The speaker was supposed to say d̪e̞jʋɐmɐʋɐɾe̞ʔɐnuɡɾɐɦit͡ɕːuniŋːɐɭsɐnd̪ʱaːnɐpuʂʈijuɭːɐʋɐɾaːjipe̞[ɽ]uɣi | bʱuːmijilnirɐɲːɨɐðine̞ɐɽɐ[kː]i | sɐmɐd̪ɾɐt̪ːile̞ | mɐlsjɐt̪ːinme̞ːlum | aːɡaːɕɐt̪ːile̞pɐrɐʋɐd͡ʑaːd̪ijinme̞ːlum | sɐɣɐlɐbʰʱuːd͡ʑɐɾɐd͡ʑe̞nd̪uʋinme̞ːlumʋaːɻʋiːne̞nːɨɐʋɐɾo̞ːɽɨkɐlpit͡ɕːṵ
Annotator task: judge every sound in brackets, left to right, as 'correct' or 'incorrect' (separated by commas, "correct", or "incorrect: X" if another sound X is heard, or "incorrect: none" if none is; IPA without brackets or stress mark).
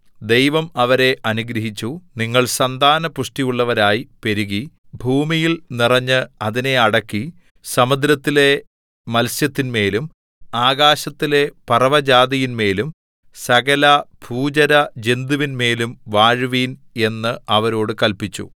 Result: incorrect: ɾ, correct